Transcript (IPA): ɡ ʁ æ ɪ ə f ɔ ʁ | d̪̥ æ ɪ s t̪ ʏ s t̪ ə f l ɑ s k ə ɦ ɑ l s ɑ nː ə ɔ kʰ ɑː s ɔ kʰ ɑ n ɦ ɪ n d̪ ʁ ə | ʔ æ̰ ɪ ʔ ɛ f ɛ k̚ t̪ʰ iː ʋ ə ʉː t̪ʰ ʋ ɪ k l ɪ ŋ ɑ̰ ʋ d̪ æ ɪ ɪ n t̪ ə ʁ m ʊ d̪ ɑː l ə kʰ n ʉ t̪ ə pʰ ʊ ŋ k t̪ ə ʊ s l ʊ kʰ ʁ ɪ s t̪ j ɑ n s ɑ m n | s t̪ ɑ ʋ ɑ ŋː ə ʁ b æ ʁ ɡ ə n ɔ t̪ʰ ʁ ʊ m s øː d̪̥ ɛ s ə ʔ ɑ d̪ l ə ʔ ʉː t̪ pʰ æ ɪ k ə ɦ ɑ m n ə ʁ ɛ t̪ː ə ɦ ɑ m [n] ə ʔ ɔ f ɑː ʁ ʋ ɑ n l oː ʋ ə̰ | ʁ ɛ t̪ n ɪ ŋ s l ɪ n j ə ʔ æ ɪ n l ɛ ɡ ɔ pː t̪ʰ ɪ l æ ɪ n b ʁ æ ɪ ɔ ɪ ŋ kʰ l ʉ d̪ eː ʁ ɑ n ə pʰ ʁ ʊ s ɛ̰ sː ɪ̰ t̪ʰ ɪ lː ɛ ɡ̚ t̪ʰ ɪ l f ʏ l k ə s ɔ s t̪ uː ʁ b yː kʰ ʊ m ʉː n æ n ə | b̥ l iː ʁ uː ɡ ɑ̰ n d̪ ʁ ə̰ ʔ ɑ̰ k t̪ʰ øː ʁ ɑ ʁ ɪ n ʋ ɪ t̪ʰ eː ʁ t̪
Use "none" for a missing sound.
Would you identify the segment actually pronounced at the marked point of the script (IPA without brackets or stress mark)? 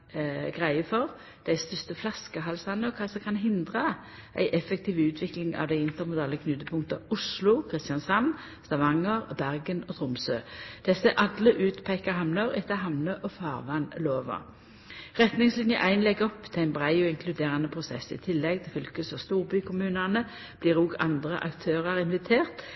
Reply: n